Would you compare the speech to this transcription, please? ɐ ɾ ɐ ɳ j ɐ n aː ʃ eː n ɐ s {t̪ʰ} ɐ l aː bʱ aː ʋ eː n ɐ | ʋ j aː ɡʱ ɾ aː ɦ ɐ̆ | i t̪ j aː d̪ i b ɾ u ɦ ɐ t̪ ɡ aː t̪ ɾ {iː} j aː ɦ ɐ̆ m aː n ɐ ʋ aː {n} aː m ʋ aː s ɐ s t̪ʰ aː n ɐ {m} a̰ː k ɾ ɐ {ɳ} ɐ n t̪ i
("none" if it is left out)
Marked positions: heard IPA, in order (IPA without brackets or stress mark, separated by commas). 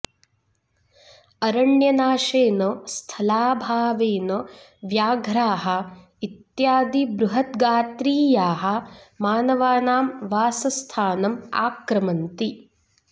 t̪ʰ, iː, n, m, m